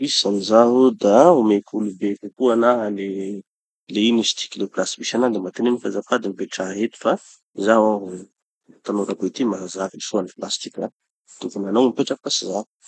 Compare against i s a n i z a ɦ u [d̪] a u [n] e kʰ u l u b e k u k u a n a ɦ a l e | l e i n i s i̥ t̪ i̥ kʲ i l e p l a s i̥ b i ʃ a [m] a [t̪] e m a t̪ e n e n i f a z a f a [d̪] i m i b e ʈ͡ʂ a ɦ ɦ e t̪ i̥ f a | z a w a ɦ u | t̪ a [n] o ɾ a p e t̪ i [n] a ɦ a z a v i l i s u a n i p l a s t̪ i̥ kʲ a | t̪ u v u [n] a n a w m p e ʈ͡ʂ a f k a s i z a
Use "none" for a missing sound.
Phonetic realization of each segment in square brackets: d̪, m, n, d̪, d̪, n, m, n

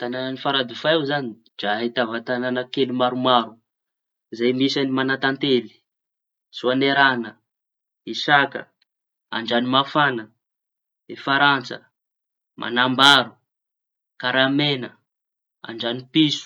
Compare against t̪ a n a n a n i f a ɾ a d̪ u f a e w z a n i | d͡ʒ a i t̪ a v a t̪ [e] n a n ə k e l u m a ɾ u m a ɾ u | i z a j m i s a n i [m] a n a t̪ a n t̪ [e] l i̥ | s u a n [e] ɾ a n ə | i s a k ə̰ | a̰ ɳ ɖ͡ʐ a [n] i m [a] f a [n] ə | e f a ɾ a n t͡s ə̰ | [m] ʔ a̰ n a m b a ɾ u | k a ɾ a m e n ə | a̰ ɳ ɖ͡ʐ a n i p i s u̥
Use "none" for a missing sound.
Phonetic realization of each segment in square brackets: a, m, e, e, n, a, n, m

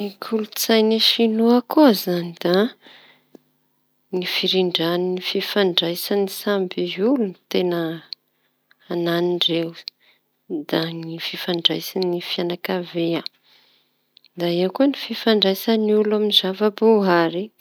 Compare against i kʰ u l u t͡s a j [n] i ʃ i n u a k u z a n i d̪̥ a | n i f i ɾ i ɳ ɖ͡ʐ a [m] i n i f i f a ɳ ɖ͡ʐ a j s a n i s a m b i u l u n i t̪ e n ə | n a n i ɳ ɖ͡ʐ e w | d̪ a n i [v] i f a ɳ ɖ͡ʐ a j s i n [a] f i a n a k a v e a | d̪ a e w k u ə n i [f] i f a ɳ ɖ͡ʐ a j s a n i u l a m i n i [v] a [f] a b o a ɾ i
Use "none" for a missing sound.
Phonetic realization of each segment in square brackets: n, n, f, i, f, z, v

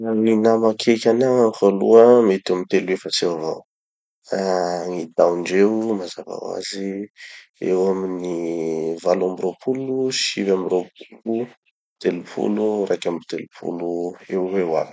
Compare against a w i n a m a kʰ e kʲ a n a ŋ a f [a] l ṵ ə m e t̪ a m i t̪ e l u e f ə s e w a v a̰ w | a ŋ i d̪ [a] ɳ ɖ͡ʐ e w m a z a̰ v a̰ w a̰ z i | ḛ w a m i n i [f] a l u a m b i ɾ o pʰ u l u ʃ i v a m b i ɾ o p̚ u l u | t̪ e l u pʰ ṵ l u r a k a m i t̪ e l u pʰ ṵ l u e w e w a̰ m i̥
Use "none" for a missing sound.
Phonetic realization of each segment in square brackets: a, a, v

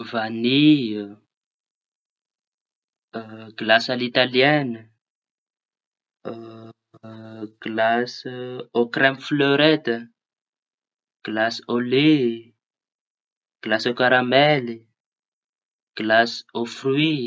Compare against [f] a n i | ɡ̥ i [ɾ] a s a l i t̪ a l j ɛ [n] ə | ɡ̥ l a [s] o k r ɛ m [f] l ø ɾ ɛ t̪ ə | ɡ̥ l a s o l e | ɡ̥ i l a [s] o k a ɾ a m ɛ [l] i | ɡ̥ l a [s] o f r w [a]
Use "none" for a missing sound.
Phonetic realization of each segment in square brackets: v, l, n, s, f, s, l, s, i

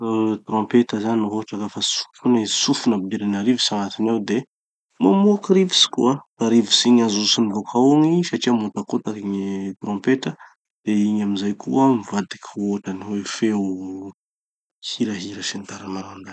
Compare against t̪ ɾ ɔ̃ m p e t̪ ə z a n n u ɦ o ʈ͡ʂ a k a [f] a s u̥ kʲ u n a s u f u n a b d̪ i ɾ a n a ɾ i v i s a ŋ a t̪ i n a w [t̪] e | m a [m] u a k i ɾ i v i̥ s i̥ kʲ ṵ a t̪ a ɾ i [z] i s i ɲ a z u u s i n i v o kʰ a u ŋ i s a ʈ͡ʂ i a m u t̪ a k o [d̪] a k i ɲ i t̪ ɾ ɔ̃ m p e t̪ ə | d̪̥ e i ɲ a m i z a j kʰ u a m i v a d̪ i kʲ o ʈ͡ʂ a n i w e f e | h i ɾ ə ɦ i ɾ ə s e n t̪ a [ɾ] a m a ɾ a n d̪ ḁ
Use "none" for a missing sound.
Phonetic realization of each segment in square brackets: f, d̪, m, v, t̪, ɾ

